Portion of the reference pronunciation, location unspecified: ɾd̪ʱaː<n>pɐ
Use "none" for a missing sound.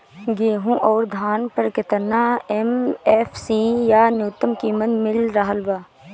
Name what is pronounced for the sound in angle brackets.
n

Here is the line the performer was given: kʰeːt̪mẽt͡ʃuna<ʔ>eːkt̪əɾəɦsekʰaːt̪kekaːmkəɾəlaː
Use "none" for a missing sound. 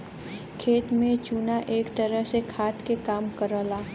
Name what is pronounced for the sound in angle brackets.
ʔ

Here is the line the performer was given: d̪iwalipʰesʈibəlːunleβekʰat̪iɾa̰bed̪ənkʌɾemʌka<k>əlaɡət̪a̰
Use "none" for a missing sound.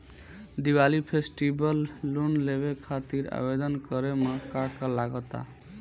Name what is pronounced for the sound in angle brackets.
k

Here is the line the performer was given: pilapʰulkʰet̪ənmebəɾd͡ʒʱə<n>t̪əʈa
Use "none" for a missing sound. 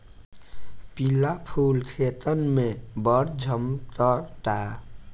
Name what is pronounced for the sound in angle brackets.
m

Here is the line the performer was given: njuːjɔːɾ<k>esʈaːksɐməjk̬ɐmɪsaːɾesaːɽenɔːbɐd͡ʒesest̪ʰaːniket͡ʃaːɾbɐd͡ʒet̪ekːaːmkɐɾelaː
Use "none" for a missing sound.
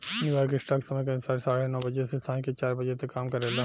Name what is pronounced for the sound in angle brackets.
k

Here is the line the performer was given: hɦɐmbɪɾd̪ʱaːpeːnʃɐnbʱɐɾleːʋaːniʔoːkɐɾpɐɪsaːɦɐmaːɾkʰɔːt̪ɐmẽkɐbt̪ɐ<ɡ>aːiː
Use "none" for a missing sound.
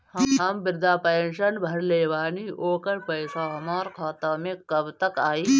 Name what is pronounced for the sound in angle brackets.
k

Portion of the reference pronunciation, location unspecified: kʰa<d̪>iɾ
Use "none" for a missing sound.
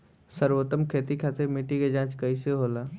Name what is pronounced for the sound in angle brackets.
t̪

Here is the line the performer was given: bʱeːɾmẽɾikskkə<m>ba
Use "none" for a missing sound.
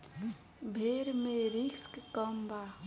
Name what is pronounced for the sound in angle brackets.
m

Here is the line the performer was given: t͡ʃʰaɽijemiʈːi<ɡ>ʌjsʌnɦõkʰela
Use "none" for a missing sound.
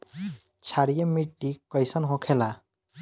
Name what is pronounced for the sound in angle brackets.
k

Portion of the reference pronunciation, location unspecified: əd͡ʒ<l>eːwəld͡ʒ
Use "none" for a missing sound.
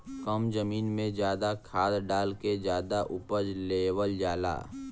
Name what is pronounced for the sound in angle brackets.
l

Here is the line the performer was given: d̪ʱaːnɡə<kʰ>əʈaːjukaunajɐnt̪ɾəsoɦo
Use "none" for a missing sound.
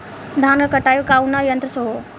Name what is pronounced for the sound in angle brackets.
k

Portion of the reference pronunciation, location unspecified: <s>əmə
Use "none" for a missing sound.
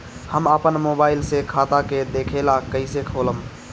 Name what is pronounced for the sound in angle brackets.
h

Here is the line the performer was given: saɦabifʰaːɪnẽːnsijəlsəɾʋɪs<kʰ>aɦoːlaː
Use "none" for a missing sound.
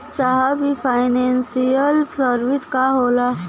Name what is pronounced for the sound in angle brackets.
k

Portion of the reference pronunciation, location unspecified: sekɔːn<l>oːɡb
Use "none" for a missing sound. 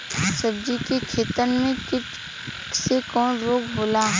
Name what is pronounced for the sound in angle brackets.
ɾ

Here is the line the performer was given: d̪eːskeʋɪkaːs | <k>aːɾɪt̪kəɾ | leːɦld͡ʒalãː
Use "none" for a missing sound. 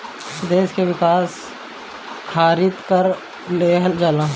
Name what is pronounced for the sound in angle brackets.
kʰ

